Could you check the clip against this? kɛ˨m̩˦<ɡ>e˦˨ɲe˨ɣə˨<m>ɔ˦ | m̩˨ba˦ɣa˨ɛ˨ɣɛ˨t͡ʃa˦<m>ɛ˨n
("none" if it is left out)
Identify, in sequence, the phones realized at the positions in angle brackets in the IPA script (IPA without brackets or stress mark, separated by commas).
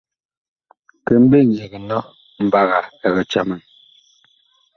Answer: b, n, m